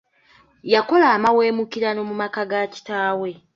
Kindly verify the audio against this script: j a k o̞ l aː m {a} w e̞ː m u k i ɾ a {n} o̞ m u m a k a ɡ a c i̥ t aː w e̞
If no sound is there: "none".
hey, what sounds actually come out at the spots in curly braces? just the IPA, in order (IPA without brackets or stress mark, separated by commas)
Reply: a, n